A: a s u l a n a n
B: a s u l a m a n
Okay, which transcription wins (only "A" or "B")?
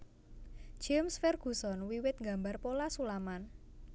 B